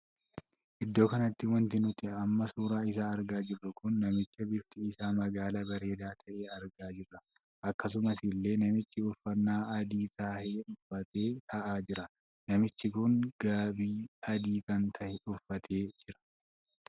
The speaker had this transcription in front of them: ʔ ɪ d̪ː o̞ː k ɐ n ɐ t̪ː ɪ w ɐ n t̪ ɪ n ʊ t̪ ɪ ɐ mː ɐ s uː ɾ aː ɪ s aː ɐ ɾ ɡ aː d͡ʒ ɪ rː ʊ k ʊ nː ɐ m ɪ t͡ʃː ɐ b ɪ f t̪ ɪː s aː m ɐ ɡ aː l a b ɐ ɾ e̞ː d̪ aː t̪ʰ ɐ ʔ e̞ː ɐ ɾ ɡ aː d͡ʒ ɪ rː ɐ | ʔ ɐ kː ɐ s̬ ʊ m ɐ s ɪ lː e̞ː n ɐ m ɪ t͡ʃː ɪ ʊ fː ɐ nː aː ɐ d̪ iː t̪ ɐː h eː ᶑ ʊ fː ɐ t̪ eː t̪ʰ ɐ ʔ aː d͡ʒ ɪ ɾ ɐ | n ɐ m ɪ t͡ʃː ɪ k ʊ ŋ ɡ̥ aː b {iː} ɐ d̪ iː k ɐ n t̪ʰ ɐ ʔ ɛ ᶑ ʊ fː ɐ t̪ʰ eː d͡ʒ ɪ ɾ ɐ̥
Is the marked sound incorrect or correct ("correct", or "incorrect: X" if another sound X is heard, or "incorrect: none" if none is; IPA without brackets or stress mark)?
correct